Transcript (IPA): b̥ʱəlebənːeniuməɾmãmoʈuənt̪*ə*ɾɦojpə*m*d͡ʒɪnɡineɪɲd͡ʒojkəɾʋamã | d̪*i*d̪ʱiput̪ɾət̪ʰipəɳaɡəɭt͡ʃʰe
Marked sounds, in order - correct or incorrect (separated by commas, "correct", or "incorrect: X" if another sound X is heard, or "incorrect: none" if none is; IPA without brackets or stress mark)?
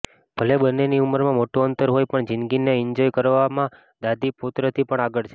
correct, incorrect: ɳ, incorrect: a